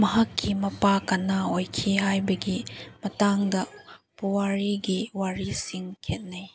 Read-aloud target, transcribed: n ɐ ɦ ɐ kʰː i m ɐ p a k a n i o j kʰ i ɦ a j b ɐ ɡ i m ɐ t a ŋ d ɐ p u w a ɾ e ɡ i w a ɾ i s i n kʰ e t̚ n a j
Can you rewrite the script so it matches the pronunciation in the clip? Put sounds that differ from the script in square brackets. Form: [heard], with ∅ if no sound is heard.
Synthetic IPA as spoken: [m] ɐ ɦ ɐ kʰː i m ɐ p a k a n [a] o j kʰ i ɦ a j b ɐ ɡ i m ɐ t a ŋ d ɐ p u w a ɾ [i] ɡ i w a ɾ i s i [ŋ] kʰ e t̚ n a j